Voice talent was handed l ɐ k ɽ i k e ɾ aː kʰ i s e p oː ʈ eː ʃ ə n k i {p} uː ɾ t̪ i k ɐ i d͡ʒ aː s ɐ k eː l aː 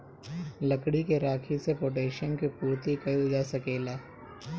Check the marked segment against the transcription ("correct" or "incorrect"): correct